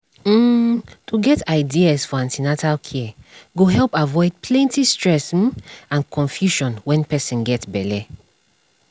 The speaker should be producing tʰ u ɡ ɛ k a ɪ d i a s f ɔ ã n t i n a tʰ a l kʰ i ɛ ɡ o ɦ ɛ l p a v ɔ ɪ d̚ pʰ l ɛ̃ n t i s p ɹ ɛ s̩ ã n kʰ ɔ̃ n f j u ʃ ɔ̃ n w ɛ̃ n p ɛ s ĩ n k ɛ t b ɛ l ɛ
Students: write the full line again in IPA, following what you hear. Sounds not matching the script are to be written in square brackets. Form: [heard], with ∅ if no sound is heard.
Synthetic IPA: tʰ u ɡ ɛ [t] a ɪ d i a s f ɔ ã n t i n a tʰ a l kʰ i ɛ ɡ o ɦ ɛ l p a v ɔ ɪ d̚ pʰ l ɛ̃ n t i s [t] ɹ ɛ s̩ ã n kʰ ɔ̃ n f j u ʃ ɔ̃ n w ɛ̃ n p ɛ s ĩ n [ɡ] ɛ t b ɛ l ɛ